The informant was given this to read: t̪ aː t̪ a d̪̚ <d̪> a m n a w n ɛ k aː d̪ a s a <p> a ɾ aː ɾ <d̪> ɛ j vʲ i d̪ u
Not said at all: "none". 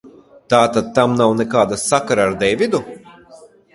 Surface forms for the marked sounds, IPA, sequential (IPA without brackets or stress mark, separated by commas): t̪, k, d̪